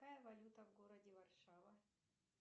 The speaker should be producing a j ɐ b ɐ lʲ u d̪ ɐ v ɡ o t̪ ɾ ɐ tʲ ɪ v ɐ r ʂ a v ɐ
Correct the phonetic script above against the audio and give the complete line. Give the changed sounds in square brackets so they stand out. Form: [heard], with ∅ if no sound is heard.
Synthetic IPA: a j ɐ [v] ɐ lʲ u [t̪] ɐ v ɡ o [∅] ɾ ɐ [dʲ] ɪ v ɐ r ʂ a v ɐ